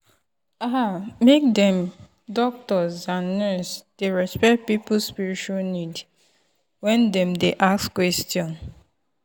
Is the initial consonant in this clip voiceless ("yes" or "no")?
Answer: no